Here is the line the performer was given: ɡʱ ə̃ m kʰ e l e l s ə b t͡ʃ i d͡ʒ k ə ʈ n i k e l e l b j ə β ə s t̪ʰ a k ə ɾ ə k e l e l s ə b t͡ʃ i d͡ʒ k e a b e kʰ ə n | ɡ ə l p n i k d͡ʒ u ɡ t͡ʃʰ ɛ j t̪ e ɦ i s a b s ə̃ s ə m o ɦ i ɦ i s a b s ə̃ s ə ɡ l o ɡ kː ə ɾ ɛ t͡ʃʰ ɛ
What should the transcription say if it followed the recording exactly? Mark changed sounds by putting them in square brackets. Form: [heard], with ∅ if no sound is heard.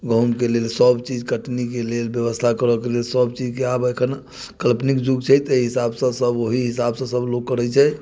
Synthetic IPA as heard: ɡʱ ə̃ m [k] e l e l s ə b t͡ʃ i d͡ʒ k ə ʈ n i k e l e l b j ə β ə s t̪ʰ a k ə ɾ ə k e l e l s ə b t͡ʃ i d͡ʒ k e a b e kʰ ə n | [k] ə l p n i k d͡ʒ u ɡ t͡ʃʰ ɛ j t̪ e ɦ i s a b s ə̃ s ə [b] o ɦ i ɦ i s a b s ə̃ s ə [b] l o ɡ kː ə ɾ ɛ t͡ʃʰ ɛ